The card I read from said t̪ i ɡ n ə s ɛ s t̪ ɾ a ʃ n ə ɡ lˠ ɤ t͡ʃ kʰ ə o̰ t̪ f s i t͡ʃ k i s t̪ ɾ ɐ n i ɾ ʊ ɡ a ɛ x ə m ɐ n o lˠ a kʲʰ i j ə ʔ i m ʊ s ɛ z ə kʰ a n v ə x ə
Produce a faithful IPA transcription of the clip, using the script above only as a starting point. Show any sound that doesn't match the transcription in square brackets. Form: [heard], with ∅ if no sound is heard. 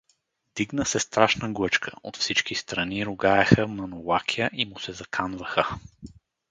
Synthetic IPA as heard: [d̪] i ɡ n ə s ɛ s t̪ ɾ a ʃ n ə ɡ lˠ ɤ t͡ʃ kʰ ə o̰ t̪ f s i t͡ʃ k i s t̪ ɾ ɐ n i ɾ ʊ ɡ a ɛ x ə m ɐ n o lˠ a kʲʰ i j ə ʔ i m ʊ s ɛ z [ɐ] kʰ a n v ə x ə

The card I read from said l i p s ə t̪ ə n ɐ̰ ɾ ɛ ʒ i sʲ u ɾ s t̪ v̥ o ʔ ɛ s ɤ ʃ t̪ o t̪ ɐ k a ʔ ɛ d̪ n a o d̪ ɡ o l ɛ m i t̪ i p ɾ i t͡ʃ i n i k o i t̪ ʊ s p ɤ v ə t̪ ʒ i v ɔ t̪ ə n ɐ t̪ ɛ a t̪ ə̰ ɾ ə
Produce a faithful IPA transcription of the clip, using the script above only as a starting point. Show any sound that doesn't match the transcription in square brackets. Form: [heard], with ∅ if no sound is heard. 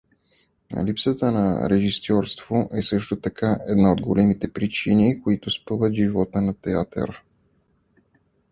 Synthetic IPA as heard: l i p s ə t̪ ə n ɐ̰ ɾ ɛ ʒ i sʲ [ɔ] ɾ s t̪ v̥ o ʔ ɛ s ɤ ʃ t̪ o t̪ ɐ k a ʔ ɛ d̪ n a o d̪ ɡ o l ɛ m i t̪ [ɛ] p ɾ i t͡ʃ i n i k o i t̪ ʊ s p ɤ v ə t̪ ʒ i v ɔ t̪ ə n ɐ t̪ ɛ a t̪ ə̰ ɾ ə

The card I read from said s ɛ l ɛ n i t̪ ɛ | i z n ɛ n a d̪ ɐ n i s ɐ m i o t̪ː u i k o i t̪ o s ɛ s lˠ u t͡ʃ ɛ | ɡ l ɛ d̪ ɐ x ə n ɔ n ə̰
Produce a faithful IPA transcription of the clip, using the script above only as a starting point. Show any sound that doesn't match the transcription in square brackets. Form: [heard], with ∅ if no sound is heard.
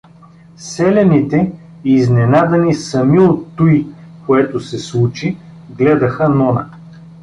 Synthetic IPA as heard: s ɛ l ɛ n i t̪ ɛ | i z n ɛ n a d̪ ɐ n i s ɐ m i o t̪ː u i k o [ɛ] t̪ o s ɛ s lˠ u t͡ʃ [i] | ɡ l ɛ d̪ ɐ x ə n ɔ n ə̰

